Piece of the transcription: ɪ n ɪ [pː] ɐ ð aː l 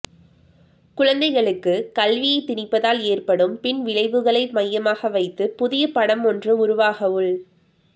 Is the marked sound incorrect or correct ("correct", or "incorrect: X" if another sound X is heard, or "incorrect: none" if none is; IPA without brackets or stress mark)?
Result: correct